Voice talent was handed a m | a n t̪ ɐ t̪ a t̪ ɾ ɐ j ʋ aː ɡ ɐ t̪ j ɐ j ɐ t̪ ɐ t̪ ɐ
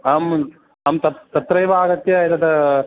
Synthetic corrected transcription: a m | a m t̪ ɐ t̪ ɐ t̪ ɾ ɐ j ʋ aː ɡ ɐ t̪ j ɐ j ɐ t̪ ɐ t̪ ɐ